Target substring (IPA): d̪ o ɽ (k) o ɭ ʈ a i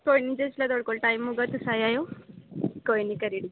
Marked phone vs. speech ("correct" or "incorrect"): correct